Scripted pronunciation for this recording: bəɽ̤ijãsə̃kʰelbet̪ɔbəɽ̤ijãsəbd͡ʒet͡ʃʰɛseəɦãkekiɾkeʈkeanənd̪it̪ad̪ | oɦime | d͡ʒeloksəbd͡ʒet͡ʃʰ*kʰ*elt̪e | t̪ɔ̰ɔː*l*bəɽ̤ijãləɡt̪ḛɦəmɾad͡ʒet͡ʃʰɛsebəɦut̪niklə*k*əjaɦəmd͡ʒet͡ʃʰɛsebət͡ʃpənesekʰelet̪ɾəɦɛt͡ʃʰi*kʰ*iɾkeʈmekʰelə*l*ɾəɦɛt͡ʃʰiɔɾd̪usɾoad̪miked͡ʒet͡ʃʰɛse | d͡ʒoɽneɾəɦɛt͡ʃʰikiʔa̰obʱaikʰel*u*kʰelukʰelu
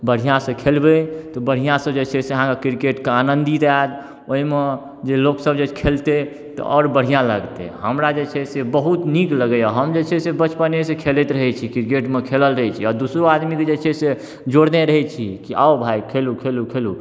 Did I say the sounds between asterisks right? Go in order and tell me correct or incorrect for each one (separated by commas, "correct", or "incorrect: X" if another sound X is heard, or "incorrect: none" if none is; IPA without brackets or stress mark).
correct, incorrect: ɾ, incorrect: ɡ, incorrect: k, correct, correct